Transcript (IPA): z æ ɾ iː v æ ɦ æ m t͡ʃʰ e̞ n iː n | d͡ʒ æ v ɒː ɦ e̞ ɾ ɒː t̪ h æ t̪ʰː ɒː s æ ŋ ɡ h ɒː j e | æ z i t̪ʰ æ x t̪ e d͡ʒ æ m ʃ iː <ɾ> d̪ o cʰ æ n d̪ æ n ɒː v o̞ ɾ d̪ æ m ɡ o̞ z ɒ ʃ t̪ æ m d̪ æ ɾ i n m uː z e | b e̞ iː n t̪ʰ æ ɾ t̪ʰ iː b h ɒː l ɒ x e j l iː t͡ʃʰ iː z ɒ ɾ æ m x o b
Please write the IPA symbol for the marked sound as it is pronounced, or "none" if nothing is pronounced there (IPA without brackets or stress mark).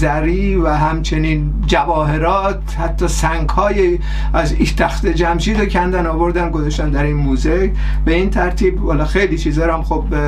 none